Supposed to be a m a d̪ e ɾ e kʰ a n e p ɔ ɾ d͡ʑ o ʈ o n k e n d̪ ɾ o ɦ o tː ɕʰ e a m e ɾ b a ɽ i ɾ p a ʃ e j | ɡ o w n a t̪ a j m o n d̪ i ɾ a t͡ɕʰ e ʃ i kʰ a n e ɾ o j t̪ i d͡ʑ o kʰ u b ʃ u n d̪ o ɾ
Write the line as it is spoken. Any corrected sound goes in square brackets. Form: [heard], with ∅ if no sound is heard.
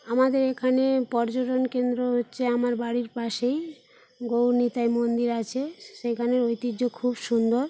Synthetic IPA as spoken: a m a d̪ e ɾ e kʰ a n e p ɔ ɾ d͡ʑ o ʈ o n k e n d̪ ɾ o ɦ o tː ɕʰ e a m [a] ɾ b a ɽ i ɾ p a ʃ e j | ɡ o w n [i] t̪ a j m o n d̪ i ɾ a t͡ɕʰ e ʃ [e] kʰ a n e ɾ o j t̪ i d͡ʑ o kʰ u b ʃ u n d̪ o ɾ

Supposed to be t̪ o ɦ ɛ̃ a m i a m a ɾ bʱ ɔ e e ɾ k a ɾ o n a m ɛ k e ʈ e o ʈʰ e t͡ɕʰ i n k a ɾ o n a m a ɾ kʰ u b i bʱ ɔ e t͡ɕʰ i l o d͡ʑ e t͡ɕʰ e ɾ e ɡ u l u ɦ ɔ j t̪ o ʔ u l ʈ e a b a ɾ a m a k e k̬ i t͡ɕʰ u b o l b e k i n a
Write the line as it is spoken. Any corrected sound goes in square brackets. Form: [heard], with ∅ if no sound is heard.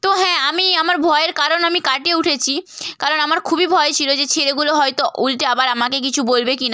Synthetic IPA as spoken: t̪ o ɦ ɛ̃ a m i a m a ɾ bʱ ɔ e e ɾ k a ɾ o n a m [i] k [a] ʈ e [u] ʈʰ e t͡ɕʰ i [∅] k a ɾ o n a m a ɾ kʰ u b i bʱ ɔ e t͡ɕʰ i l o d͡ʑ e t͡ɕʰ e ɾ e ɡ u l [o] ɦ ɔ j t̪ o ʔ u l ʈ e a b a ɾ a m a k e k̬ i t͡ɕʰ u b o l b e k i n a

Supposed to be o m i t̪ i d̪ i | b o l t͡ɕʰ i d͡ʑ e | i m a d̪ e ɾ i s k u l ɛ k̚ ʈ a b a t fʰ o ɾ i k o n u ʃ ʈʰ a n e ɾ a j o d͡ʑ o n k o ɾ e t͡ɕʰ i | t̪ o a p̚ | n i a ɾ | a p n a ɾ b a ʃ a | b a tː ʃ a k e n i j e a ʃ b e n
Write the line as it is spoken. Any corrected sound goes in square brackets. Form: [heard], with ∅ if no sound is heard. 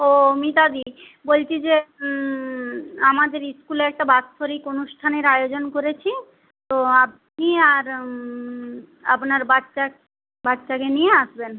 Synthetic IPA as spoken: o m i t̪ [a] d̪ i | b o l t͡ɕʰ i d͡ʑ e | [a] m a d̪ e ɾ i s k u l ɛ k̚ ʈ a b a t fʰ o ɾ i k o n u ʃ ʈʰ a n e ɾ a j o d͡ʑ o n k o ɾ e t͡ɕʰ i | t̪ o a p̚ | n i a ɾ | a p n a ɾ b a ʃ a | b a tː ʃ a k e n i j e a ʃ b e n

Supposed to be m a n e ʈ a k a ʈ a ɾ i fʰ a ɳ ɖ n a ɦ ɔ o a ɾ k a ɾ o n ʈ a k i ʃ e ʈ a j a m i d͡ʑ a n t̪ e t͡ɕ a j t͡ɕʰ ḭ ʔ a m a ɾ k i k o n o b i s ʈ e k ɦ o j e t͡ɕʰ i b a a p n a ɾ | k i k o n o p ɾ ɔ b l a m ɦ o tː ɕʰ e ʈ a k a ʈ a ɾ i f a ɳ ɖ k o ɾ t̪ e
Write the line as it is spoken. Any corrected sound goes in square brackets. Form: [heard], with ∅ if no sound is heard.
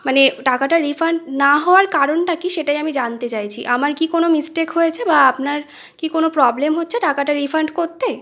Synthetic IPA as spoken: m a n e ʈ a k a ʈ a ɾ i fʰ a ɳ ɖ n a ɦ ɔ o a ɾ k a ɾ o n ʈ a k i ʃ e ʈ a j a m i d͡ʑ a n t̪ e t͡ɕ a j t͡ɕʰ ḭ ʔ a m a ɾ k i k o n o [m] i s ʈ e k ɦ o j e t͡ɕʰ [e] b a a p n a ɾ | k i k o n o p ɾ ɔ b l [e] m ɦ o tː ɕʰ e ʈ a k a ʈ a ɾ i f a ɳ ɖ k o ɾ t̪ e

